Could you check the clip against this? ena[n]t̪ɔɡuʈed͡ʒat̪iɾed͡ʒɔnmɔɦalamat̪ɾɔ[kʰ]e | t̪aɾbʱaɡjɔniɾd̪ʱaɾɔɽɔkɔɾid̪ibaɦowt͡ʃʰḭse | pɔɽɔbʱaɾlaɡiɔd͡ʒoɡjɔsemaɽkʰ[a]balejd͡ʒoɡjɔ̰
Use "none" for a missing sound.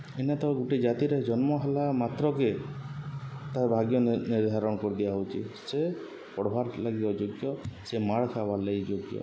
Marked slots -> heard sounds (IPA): none, k, a

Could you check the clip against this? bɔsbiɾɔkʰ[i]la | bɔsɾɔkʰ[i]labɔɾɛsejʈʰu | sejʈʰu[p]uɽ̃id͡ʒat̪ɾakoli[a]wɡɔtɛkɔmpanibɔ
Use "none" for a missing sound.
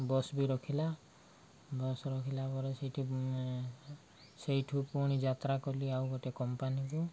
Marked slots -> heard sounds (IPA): i, i, p, a

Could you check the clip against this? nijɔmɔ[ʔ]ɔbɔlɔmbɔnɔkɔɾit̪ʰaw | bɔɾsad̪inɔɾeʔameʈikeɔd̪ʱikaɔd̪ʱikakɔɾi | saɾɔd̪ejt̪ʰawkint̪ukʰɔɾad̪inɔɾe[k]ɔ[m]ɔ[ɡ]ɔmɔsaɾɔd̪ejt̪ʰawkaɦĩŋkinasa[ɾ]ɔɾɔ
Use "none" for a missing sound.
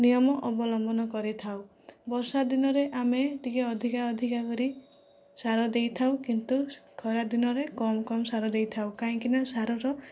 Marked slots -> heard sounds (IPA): ʔ, k, m, k, ɾ

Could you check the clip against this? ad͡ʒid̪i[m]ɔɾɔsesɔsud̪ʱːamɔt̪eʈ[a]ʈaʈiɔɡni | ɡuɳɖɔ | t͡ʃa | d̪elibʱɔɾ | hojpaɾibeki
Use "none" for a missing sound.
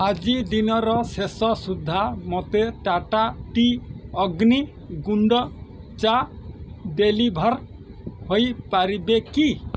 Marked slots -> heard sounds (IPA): n, a

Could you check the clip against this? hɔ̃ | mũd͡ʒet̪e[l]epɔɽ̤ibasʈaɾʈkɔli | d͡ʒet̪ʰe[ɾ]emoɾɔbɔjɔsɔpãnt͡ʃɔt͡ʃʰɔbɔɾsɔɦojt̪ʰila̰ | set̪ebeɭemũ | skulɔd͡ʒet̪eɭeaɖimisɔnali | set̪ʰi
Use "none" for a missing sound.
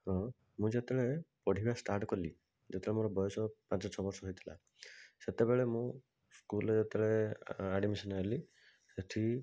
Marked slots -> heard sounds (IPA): ɭ, ɭ

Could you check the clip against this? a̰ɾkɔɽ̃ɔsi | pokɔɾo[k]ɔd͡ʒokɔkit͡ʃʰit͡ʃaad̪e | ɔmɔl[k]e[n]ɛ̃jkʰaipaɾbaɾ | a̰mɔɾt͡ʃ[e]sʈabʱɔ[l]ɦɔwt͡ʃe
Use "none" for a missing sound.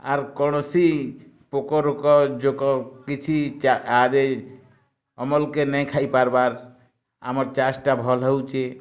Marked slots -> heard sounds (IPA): k, k, n, a, l

